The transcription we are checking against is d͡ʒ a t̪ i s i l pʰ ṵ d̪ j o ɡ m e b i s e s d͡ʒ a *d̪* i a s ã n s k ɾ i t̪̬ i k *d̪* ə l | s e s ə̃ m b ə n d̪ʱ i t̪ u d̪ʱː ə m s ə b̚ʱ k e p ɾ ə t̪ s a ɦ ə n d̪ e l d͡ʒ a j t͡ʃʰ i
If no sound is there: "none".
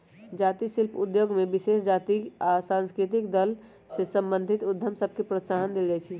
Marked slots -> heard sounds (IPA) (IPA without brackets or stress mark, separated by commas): t̪, d̪